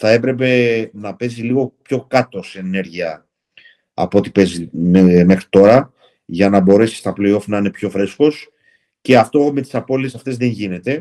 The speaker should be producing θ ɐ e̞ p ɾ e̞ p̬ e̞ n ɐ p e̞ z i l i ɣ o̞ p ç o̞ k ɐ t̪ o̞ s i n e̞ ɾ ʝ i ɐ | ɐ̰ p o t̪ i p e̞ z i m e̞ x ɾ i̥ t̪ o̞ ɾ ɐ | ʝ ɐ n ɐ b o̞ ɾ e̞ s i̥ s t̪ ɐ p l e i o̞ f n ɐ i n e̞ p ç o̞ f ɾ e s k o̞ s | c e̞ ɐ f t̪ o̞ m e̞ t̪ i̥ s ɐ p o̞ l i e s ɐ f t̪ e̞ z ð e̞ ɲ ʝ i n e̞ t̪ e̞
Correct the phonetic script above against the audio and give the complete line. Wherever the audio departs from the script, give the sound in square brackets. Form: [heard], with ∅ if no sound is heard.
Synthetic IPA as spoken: θ ɐ e̞ p ɾ e̞ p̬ e̞ n ɐ p e̞ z i l i ɣ o̞ p ç o̞ k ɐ t̪ o̞ s [e] n e̞ ɾ ʝ i ɐ | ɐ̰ p o t̪ i p e̞ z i m e̞ x ɾ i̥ t̪ o̞ ɾ ɐ | ʝ ɐ n ɐ b o̞ ɾ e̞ s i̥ s t̪ ɐ p l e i o̞ f n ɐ i n e̞ p ç o̞ f ɾ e s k o̞ s | c e̞ ɐ f t̪ o̞ m e̞ t̪ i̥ s ɐ p o̞ l i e s ɐ f t̪ e̞ z ð e̞ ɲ ʝ i n e̞ t̪ e̞